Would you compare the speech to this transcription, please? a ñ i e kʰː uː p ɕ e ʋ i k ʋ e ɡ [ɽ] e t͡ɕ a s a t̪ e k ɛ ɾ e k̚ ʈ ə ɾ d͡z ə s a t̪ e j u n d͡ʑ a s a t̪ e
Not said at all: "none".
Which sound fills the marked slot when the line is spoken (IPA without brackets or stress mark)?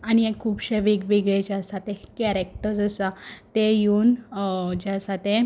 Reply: ɭ